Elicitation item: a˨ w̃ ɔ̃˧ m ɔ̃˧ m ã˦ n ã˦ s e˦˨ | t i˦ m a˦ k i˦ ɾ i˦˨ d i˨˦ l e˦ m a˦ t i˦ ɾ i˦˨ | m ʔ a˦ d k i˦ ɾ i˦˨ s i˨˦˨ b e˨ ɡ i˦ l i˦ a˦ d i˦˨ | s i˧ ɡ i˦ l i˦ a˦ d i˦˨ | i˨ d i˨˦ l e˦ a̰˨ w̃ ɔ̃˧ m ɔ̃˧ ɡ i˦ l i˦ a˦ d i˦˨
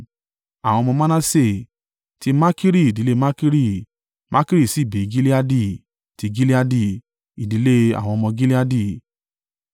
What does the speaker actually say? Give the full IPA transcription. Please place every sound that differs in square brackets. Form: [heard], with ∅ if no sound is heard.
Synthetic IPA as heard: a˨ w̃ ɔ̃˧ m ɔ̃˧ m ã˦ n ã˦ s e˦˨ | t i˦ m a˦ k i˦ ɾ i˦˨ d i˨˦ l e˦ m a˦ [k] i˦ ɾ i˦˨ | m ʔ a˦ [∅] k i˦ ɾ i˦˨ s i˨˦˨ b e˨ ɡ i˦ l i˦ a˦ d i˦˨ | [t] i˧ ɡ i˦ l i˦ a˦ d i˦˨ | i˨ d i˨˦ l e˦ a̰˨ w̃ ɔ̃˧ m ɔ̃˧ ɡ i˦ l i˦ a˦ d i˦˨